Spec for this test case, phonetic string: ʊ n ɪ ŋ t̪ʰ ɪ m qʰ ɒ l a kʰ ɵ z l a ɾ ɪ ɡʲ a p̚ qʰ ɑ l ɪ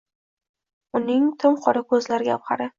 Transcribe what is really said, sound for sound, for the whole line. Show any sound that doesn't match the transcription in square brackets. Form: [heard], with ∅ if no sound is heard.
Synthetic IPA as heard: ʊ n ɪ ŋ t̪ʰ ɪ m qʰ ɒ [ɾ] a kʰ ɵ z l a ɾ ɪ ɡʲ a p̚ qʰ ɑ [ɾ] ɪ